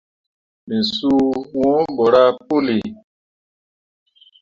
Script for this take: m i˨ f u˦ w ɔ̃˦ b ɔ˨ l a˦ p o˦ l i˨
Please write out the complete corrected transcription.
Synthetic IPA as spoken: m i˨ s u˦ w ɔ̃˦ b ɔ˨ ɾ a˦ p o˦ l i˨